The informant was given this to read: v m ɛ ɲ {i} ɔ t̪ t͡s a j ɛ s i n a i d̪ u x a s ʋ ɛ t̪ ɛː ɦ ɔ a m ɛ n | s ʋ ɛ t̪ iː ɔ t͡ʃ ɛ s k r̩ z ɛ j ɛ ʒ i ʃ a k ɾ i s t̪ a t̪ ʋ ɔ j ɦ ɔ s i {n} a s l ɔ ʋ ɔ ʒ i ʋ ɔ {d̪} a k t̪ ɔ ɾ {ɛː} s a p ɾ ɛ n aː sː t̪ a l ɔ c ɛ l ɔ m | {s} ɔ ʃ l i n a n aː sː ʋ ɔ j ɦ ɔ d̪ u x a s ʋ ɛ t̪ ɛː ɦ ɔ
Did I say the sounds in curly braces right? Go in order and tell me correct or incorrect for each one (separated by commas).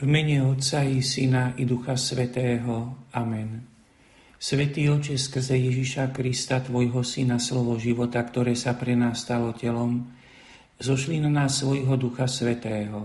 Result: incorrect, correct, incorrect, correct, incorrect